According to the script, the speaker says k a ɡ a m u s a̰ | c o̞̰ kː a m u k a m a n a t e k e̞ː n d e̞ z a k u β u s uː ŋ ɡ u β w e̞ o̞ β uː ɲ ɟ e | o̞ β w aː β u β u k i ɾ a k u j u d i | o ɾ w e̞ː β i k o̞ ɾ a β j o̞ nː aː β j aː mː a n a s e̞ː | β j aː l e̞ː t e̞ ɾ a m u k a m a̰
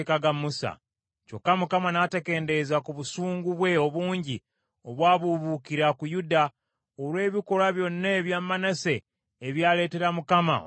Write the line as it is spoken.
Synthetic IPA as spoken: k a ɡ a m u s a̰ | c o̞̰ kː a m u k a m a n a t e k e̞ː n d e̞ z a k u β u s uː ŋ ɡ u β w e̞ o̞ β uː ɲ ɟ i | o̞ β w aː β u β u k i ɾ a k u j u d a | o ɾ w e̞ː β i k o̞ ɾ a β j o̞ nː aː β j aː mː a n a s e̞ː | β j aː l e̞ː t e̞ ɾ a m u k a m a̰